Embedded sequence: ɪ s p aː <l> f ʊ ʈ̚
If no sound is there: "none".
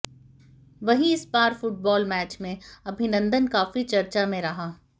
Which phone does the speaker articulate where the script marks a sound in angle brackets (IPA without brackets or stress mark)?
ɾ